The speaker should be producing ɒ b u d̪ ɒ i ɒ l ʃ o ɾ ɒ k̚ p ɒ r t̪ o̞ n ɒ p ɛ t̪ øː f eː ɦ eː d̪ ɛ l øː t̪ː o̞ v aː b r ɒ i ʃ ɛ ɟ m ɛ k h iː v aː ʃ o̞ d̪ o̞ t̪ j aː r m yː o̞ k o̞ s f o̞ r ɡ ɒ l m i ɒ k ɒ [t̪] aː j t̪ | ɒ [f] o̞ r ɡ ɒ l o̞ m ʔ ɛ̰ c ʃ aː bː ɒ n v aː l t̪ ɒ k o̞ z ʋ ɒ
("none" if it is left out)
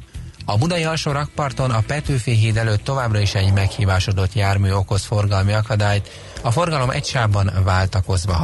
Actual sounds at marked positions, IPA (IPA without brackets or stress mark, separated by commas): d̪, f